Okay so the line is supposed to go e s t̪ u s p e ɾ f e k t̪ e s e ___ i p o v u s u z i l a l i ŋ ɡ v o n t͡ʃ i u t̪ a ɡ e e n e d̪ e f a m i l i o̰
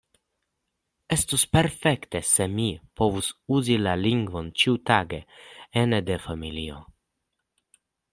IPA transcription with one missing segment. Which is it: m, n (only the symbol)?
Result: m